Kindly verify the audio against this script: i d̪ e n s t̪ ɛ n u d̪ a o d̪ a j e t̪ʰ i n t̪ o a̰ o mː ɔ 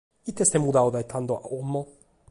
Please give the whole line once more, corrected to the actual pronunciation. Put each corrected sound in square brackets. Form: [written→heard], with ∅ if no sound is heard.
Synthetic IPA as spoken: i [d̪→t̪] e [n→∅] s t̪ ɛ [n→m] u d̪ a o d̪ a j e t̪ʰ [i→a] n [t̪→d̪] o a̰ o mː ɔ